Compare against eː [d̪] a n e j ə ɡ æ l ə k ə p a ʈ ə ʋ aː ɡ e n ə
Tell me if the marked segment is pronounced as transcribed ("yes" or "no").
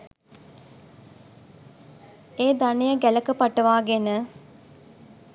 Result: yes